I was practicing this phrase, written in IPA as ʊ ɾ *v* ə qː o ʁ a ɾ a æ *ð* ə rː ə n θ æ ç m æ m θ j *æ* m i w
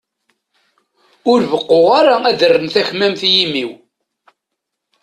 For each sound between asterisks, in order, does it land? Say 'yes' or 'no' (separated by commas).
yes, yes, no